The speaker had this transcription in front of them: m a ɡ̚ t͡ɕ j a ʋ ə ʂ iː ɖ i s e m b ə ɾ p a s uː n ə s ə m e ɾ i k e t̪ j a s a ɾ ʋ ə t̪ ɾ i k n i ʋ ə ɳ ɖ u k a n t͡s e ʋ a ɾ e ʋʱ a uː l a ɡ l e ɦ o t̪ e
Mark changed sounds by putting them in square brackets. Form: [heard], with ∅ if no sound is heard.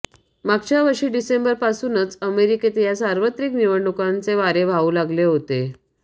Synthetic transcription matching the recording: m a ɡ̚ t͡ɕ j a ʋ ə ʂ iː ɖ i s e m b ə ɾ p a s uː n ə [t͡s] ə m e ɾ i k e t̪ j a s a ɾ ʋ ə t̪ ɾ i k n i ʋ ə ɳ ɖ u k a n t͡s e ʋ a ɾ e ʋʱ a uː l a ɡ l e ɦ o t̪ e